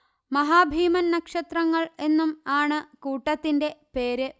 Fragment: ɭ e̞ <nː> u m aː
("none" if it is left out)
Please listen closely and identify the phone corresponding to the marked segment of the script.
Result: nː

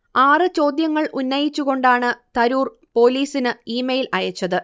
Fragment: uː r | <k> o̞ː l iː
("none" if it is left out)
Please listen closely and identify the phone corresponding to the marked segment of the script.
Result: p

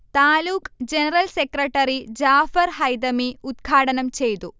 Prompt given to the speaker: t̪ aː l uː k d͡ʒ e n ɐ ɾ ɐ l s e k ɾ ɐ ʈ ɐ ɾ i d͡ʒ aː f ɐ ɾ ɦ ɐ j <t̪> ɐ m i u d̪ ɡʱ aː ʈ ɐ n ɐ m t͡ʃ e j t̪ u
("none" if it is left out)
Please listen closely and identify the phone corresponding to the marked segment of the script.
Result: d̪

